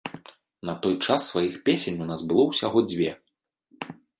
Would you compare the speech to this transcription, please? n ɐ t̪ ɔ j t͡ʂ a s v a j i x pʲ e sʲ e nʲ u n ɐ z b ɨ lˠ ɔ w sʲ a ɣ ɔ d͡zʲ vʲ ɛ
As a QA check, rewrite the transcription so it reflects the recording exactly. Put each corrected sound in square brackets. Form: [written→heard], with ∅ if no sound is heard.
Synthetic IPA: n ɐ t̪ ɔ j t͡ʂ a [s→sː] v a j i x pʲ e sʲ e nʲ u n [ɐ→a] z b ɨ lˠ ɔ w sʲ a ɣ ɔ d͡zʲ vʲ ɛ